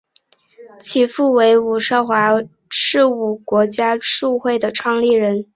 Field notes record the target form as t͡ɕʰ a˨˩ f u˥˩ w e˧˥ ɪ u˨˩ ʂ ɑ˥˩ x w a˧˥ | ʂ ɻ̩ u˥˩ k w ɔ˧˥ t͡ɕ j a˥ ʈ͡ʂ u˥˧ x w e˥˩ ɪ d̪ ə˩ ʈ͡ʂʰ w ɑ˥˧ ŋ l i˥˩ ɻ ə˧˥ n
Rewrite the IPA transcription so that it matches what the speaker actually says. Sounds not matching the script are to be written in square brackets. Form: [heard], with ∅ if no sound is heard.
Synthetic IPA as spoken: t͡ɕʰ [i˨˩] f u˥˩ w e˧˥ ɪ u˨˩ ʂ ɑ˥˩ x w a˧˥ | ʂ ɻ̩ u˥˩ k w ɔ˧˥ t͡ɕ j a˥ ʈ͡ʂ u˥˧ x w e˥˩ ɪ d̪ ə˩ ʈ͡ʂʰ w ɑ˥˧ ŋ l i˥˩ ɻ ə˧˥ n

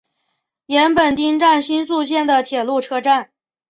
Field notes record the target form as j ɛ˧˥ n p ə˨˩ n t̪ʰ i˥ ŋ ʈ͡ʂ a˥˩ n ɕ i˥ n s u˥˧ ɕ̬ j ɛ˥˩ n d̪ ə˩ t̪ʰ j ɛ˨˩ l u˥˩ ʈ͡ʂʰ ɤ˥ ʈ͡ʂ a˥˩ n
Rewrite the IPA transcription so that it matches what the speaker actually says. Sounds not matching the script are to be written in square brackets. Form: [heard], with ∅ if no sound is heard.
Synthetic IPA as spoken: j ɛ˧˥ n p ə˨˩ n [t̪] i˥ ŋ ʈ͡ʂ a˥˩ n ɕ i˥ n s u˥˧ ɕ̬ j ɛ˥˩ n d̪ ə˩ t̪ʰ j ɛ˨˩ l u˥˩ ʈ͡ʂʰ ɤ˥ ʈ͡ʂ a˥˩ n

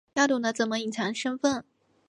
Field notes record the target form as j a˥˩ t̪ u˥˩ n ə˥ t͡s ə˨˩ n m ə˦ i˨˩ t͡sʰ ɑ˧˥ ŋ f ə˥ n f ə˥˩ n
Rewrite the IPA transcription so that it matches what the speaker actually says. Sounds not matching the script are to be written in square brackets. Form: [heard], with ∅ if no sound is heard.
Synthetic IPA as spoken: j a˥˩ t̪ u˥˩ n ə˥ t͡s ə˨˩ n m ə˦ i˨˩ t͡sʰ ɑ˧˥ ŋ [ʂ] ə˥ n f ə˥˩ n

